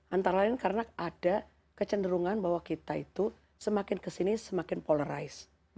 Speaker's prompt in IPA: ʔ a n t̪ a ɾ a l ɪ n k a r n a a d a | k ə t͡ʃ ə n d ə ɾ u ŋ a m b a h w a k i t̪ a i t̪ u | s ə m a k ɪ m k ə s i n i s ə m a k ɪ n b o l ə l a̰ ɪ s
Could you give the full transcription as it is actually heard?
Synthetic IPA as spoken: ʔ a n t̪ a ɾ a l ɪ n k a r n a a d a | k ə t͡ʃ ə n d ə ɾ u ŋ a n b a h w a k i t̪ a i t̪ u | s ə m a k ɪ n k ə s i n i s ə m a k ɪ n p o l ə ɾ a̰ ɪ s